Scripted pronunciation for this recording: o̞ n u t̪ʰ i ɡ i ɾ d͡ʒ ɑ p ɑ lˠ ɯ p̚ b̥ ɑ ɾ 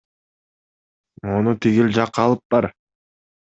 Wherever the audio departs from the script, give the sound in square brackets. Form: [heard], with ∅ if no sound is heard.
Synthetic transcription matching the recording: o̞ n u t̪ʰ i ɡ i [l] d͡ʒ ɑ [q] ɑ lˠ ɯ p̚ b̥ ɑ ɾ